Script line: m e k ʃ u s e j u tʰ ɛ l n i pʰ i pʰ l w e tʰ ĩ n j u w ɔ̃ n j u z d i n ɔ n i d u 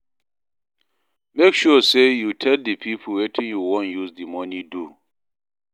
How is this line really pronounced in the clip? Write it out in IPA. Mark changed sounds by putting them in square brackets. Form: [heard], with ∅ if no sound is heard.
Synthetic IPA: m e k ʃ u s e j u tʰ ɛ l [d] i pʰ i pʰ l w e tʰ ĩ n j u w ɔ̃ n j u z d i [m] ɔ n i d u